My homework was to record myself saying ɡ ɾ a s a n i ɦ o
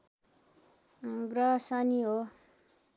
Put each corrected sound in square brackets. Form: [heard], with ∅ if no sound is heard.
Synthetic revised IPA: ɡ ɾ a s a n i ɦ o

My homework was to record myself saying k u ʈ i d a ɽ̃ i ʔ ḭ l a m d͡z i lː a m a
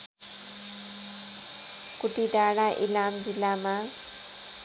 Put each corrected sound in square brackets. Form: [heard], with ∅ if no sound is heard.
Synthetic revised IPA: k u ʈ i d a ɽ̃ [a] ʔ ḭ l a m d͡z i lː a m a

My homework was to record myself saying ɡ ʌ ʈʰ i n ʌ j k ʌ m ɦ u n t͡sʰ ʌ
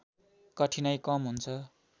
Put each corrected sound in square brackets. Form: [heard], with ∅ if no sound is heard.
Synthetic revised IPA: [k] ʌ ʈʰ i n ʌ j k ʌ m ɦ u n t͡sʰ ʌ

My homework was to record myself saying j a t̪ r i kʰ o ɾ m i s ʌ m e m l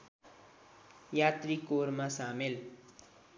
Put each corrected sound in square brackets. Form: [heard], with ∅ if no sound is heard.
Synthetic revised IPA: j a t̪ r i [k] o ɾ m [a] s [a] m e [∅] l

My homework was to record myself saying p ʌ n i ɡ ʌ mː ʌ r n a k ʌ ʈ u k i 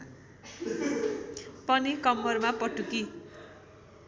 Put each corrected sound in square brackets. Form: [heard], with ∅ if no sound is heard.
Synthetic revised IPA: p ʌ n i [k] ʌ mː ʌ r [m] a [p] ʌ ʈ u k i

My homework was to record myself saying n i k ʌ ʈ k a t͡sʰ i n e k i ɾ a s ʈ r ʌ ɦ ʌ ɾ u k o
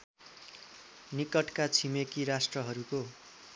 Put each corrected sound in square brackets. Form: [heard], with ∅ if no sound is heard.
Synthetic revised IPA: n i k ʌ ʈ k a t͡sʰ i [m] e k i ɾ a s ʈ r ʌ ɦ ʌ ɾ u k o

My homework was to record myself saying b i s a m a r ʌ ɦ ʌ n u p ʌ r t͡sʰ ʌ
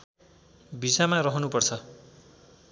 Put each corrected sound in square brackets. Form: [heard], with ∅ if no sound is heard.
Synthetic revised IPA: b i s a m a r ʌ ɦ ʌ n u p ʌ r t͡sʰ ʌ

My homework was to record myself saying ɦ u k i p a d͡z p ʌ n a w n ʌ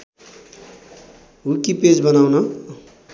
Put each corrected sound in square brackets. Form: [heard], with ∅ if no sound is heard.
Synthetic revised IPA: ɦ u k i p [e] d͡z [b] ʌ n a w n ʌ

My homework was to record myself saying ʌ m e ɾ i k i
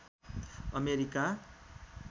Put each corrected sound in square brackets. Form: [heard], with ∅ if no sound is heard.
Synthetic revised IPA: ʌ m e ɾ i k [a]

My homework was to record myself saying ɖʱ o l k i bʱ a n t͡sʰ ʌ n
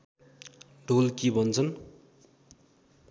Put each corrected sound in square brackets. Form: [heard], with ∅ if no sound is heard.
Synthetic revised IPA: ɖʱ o l k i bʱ [ʌ] n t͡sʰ ʌ n

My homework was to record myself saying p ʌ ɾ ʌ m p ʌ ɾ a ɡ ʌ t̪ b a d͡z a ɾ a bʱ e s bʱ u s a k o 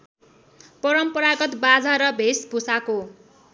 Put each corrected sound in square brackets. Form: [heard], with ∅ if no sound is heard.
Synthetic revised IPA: p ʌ ɾ ʌ m p ʌ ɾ a ɡ ʌ t̪ b a d͡z a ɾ [ʌ] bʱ e s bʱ u s a k o

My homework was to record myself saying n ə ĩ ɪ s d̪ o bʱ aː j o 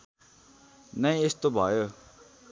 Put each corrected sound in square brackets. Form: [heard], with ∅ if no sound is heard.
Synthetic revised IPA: n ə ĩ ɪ s [t̪] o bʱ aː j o

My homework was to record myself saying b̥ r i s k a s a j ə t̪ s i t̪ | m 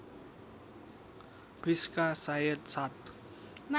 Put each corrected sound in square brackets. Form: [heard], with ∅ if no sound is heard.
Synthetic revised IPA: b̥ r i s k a s a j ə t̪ s [a] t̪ | m

